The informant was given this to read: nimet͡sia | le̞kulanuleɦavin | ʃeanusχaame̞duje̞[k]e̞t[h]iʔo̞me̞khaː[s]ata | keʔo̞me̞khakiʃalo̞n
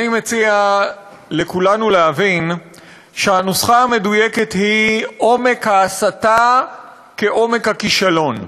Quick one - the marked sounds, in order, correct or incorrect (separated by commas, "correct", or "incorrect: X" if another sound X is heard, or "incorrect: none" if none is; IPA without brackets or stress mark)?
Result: correct, correct, correct